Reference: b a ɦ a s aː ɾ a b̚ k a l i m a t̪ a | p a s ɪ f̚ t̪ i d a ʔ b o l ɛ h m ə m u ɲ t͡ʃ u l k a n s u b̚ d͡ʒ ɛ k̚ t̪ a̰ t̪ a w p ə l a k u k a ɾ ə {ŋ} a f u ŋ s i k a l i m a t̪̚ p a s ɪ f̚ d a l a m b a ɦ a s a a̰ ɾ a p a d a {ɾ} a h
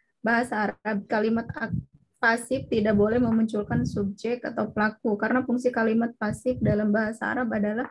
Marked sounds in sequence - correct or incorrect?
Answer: incorrect, incorrect

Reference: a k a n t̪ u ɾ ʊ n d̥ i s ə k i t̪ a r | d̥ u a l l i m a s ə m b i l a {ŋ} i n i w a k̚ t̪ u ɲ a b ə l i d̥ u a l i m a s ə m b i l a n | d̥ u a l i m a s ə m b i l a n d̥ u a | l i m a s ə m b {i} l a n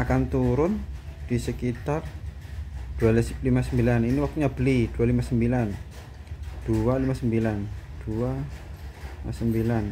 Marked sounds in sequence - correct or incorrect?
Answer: incorrect, correct

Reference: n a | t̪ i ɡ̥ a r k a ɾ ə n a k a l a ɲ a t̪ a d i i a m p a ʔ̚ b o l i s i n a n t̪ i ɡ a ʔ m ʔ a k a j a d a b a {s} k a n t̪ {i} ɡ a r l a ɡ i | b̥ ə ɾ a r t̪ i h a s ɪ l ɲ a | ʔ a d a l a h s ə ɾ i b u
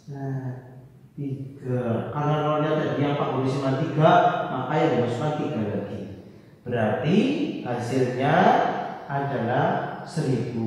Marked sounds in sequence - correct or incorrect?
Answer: correct, correct

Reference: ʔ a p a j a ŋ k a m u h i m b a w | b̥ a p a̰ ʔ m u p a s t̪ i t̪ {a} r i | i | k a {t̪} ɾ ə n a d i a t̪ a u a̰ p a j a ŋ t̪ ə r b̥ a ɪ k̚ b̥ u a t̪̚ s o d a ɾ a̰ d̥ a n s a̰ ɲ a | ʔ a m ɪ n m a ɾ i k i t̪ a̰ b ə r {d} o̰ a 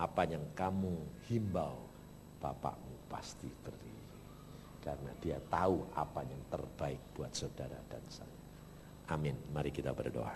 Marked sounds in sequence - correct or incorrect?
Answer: incorrect, incorrect, correct

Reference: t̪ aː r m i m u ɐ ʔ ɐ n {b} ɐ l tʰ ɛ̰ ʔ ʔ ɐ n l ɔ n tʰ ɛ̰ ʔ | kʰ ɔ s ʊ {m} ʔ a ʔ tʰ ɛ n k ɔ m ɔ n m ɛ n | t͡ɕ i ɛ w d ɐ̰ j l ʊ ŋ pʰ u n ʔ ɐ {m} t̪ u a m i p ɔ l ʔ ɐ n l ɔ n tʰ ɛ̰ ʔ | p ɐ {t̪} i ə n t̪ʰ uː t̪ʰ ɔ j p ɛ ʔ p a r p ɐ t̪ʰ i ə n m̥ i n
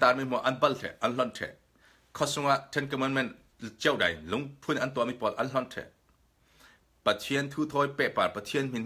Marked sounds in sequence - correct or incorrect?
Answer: correct, incorrect, incorrect, incorrect

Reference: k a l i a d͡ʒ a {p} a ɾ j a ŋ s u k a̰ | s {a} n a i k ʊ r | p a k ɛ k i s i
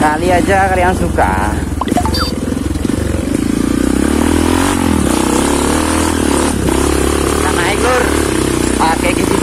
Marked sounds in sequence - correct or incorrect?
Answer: incorrect, correct

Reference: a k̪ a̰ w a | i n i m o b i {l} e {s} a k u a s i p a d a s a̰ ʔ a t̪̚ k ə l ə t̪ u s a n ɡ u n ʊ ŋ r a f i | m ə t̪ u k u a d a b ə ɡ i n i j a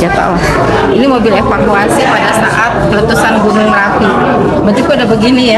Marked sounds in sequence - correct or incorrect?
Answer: correct, incorrect

